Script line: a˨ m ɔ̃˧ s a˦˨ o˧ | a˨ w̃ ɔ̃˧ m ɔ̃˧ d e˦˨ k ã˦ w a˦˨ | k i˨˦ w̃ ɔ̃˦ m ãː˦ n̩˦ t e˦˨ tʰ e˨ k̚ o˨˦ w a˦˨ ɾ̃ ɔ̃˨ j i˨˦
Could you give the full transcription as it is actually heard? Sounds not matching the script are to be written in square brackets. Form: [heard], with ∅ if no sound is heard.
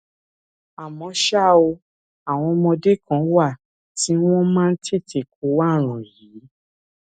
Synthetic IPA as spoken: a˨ m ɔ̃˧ [ʃ] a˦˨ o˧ | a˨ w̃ ɔ̃˧ m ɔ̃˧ d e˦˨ k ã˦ w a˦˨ | [t] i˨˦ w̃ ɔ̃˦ m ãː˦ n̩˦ t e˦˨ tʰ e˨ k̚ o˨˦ w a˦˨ ɾ̃ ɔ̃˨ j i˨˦